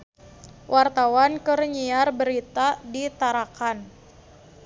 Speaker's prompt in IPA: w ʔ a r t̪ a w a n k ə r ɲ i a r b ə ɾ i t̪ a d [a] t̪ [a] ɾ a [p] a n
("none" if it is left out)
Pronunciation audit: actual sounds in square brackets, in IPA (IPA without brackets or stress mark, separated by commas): i, a, k